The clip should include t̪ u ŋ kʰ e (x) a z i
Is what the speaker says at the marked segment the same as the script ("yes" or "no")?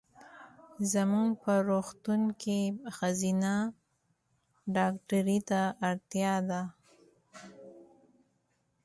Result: yes